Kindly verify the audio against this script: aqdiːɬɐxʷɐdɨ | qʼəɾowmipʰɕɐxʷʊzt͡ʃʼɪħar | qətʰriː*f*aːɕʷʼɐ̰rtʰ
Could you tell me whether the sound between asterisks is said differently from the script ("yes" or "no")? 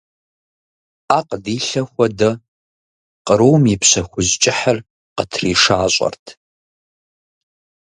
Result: yes